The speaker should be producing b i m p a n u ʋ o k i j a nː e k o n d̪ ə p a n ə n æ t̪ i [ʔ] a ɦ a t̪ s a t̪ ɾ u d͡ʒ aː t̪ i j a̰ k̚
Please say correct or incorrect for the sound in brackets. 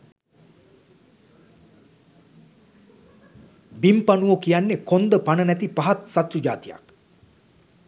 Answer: incorrect